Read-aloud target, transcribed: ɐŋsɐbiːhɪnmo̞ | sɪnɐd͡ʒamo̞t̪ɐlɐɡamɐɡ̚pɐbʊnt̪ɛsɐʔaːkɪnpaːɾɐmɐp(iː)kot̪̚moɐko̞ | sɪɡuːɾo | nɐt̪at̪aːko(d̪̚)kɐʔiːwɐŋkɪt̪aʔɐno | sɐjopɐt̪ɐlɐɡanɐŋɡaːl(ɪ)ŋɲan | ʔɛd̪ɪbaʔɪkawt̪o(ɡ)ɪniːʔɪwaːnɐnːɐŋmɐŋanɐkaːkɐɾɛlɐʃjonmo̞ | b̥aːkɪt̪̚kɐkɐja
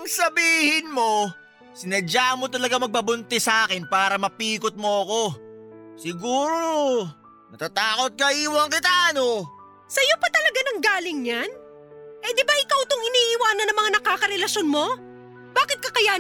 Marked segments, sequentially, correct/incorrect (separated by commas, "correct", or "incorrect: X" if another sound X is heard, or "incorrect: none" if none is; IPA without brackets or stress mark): correct, incorrect: t̪̚, correct, incorrect: ŋ